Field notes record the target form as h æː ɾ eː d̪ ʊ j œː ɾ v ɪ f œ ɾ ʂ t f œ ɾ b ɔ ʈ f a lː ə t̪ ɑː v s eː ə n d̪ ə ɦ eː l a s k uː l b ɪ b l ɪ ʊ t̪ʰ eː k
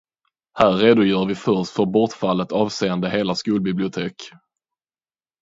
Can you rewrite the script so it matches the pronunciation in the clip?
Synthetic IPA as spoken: h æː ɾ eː d̪ ʊ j œː ɾ v ɪ f œ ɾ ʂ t f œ ɾ b ɔ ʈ f a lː ə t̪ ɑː v s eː ə n d̪ ə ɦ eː l a s k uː l b ɪ b l ɪ ʊ t̪ʰ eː k